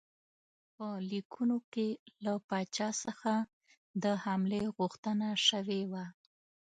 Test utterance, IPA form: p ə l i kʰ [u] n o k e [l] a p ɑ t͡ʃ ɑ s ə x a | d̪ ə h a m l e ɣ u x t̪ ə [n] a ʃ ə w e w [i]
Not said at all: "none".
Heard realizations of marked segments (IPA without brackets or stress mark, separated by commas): u, l, n, a